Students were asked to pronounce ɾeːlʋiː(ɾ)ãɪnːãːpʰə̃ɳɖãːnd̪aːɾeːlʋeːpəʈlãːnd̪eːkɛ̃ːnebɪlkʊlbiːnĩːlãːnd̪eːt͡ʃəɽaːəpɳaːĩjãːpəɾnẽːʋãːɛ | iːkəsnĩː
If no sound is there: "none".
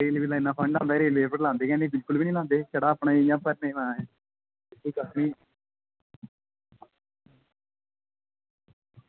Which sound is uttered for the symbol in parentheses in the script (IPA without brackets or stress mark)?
l